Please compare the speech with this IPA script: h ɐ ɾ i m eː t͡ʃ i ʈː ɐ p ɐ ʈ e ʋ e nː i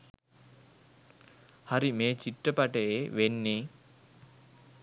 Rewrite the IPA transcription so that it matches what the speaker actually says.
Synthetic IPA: h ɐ ɾ i m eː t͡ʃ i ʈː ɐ p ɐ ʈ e ʋ e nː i